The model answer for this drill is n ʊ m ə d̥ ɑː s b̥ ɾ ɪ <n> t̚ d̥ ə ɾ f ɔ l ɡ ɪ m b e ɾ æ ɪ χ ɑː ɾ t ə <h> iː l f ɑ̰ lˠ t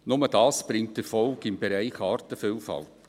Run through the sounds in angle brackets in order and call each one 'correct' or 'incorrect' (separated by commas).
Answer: incorrect, incorrect